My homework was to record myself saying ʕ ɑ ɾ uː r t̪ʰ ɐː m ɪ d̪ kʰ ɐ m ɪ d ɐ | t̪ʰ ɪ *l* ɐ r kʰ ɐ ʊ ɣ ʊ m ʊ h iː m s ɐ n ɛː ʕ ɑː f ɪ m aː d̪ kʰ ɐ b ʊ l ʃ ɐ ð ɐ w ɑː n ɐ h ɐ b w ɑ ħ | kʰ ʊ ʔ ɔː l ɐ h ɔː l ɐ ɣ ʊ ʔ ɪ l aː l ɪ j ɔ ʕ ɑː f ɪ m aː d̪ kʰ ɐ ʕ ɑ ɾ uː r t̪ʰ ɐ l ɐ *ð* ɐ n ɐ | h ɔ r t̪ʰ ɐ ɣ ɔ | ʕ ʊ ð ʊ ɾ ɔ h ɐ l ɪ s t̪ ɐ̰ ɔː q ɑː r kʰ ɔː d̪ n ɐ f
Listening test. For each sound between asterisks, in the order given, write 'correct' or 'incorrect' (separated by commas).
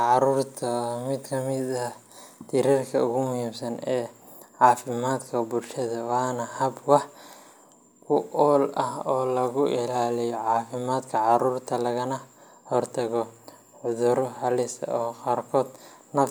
incorrect, incorrect